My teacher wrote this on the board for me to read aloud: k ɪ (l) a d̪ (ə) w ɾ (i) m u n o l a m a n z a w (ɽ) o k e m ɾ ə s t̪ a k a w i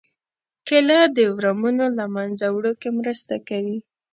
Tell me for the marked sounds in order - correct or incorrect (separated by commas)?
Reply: correct, correct, incorrect, correct